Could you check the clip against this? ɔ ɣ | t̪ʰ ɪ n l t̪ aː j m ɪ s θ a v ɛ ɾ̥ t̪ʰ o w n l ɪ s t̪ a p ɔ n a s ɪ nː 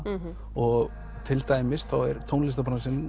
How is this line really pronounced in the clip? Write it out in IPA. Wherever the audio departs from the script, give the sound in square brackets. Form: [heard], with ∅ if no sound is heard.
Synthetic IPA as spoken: ɔ ɣ | t̪ʰ ɪ [∅] l t̪ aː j m ɪ s θ a [w] ɛ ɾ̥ t̪ʰ o w n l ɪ s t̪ a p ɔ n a s ɪ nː